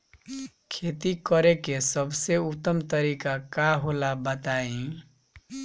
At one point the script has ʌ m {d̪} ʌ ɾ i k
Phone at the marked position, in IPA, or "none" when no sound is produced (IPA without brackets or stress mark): t̪